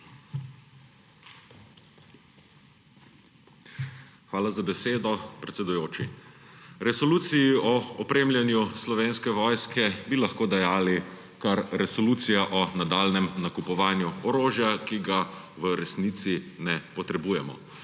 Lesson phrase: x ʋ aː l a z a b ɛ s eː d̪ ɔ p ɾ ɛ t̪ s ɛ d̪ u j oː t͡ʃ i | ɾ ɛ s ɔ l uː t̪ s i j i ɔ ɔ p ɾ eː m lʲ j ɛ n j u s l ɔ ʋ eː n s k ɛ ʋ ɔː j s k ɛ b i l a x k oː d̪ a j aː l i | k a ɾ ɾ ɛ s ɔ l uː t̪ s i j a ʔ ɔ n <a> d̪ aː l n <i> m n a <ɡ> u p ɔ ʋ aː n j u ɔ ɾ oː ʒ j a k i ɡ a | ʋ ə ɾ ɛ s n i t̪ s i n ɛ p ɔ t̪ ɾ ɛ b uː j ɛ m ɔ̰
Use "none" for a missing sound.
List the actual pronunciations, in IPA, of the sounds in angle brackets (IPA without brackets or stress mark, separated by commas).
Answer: a, ɛ, k